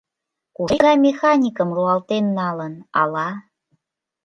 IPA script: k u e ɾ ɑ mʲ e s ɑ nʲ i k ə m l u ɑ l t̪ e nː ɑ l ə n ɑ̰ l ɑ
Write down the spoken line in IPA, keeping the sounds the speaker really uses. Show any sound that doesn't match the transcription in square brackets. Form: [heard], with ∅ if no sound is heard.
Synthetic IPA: k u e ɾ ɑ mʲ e [x] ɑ nʲ i k ə m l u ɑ l t̪ e nː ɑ l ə n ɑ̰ l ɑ